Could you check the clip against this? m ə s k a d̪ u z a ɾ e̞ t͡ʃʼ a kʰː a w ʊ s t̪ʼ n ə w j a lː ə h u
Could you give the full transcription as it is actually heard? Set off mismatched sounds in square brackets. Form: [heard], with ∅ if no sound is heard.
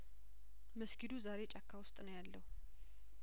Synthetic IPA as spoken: m ə s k [i] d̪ u z a ɾ e̞ t͡ʃʼ a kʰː a w ʊ s t̪ʼ n ə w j a lː ə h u